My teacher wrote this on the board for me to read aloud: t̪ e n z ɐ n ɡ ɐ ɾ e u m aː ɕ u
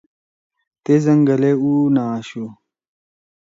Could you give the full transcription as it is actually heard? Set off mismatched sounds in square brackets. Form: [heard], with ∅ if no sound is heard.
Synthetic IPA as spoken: t̪ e [∅] z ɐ [ŋ] ɡ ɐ [l] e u [n] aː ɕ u